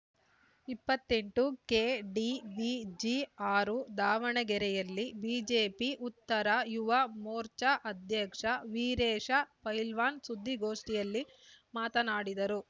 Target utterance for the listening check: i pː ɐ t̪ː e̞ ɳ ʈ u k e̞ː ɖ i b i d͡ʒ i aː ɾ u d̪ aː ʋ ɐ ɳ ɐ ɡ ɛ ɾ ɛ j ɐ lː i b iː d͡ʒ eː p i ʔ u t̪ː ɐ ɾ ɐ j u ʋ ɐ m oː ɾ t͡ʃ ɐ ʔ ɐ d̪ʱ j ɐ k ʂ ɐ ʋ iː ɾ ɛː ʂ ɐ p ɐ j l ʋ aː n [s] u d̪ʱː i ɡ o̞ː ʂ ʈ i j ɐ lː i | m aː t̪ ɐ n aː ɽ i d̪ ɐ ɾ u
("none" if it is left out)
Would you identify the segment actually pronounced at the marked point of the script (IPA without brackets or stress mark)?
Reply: s